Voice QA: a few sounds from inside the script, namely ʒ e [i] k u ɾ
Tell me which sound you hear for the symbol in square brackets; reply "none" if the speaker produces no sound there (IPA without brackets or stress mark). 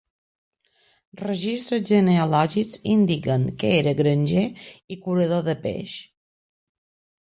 i